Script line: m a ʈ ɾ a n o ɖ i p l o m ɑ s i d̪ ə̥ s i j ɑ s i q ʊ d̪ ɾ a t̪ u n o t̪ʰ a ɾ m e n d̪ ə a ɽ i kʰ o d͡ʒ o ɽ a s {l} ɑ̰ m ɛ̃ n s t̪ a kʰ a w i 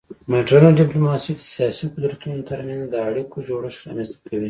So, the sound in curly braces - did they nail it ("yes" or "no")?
no